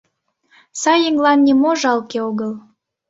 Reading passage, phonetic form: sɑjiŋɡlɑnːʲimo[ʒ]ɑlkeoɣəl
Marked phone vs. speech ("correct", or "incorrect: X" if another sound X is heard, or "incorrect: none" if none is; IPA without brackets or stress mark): correct